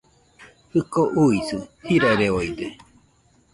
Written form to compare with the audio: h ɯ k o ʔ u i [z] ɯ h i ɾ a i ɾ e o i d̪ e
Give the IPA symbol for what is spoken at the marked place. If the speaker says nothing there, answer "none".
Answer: s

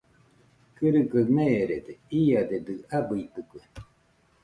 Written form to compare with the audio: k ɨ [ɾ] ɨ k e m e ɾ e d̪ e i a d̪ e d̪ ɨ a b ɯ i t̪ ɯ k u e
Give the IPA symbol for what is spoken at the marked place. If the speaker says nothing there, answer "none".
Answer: ɾ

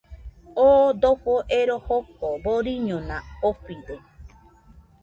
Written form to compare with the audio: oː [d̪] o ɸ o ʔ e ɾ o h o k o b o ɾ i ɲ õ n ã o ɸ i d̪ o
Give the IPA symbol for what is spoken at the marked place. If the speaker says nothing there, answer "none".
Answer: d̪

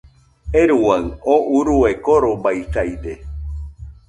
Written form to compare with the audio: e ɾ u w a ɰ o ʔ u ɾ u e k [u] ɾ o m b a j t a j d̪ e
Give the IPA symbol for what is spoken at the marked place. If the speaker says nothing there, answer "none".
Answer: o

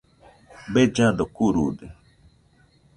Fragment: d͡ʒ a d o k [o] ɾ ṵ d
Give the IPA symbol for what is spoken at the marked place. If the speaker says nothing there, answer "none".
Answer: u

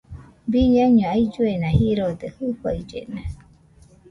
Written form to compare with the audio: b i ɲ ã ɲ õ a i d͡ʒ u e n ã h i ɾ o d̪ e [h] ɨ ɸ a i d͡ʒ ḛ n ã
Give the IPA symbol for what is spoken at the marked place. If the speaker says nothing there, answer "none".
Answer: h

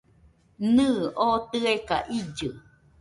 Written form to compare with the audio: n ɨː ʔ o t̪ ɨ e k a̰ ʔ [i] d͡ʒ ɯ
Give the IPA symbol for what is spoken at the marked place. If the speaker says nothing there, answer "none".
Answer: i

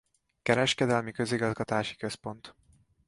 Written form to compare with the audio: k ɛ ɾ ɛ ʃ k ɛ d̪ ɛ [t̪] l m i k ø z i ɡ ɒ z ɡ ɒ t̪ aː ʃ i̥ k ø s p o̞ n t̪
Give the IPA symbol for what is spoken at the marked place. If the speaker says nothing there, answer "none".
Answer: none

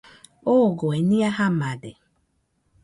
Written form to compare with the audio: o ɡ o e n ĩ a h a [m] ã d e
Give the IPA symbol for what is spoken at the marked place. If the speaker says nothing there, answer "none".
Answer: m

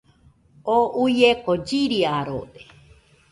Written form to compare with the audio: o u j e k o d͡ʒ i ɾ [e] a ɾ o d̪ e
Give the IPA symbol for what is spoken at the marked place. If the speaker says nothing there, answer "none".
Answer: i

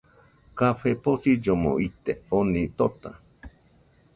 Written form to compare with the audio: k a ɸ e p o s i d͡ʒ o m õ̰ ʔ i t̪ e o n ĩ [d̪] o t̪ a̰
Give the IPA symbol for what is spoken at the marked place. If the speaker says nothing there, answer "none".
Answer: t̪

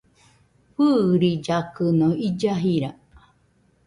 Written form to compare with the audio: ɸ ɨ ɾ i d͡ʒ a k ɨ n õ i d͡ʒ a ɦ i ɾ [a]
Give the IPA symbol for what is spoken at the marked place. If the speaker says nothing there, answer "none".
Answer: a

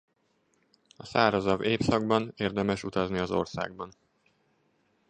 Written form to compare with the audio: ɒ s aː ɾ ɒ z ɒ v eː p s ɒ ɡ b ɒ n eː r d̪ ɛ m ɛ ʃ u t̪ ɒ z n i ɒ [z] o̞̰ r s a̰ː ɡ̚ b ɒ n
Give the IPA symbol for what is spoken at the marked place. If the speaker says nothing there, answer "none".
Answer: z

